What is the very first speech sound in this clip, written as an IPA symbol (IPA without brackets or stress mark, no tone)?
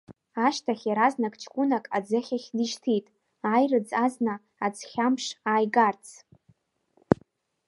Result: a